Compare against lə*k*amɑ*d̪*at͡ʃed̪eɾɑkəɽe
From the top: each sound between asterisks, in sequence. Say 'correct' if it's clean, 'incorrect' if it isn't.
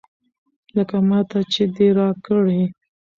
correct, incorrect

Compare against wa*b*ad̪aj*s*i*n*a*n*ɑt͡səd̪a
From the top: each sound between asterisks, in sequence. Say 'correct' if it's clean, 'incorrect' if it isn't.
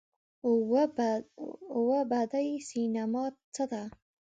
correct, correct, correct, incorrect

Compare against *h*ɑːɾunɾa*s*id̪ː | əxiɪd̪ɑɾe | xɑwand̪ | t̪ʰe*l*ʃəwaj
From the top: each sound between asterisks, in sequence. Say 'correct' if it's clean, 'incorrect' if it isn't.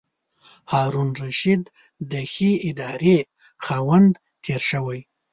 correct, incorrect, incorrect

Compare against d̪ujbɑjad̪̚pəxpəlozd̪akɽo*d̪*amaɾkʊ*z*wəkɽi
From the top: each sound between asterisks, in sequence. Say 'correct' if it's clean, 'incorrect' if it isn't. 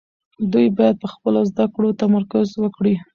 incorrect, correct

